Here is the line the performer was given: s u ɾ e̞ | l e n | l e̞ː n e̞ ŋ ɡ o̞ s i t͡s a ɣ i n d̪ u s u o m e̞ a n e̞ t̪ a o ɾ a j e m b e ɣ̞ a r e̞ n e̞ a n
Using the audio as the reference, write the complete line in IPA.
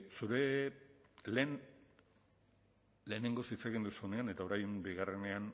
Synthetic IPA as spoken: s u ɾ e̞ | l e n | l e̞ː n e̞ ŋ ɡ o̞ s i t͡s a ɣ i n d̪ u s u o n e̞ a n e̞ t̪ a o ɾ a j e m b i ɣ̞ a r e̞ n e̞ a n